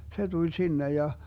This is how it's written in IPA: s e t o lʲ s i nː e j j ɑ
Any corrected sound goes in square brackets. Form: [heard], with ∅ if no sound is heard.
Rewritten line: s e t [u] lʲ s i nː e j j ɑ